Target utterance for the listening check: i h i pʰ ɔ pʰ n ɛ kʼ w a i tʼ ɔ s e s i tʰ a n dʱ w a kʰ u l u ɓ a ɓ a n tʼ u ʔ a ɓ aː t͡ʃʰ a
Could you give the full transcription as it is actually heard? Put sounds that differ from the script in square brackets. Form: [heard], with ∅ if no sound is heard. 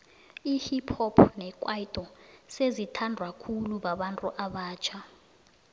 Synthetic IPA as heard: i h i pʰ ɔ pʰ n ɛ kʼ w a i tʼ ɔ s e [z] i tʰ a n dʱ w a kʰ u l u ɓ a ɓ a n tʼ u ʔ a ɓ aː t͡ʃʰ a